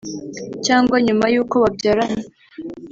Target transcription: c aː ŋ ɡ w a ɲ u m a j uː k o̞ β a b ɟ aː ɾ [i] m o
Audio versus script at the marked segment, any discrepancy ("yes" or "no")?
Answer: yes